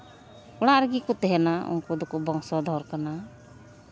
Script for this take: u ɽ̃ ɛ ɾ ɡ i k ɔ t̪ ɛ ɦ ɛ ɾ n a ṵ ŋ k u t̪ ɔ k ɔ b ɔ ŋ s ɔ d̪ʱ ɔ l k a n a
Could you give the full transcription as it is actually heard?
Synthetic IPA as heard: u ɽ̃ a ɾ ɡ i k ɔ t̪ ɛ ɦ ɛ n a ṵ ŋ k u d̪ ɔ k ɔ b ɔ ŋ s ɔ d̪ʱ ɔ ɾ k a n a